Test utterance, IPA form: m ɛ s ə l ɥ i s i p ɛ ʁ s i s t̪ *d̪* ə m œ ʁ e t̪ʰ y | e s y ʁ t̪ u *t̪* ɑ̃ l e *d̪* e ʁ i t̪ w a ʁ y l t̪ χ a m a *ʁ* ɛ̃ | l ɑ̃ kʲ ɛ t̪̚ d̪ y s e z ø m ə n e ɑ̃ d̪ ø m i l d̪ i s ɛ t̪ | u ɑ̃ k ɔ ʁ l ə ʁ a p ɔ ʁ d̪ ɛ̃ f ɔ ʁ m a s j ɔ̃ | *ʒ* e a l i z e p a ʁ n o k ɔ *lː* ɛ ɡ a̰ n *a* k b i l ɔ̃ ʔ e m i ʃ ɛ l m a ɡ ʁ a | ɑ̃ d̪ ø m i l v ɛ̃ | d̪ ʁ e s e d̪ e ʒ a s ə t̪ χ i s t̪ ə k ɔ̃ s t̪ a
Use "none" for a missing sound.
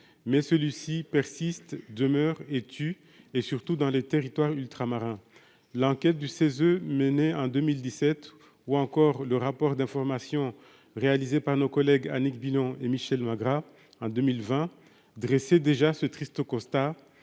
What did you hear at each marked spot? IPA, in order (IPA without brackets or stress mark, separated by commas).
d̪, d̪, t̪, ʁ, ʁ, l, i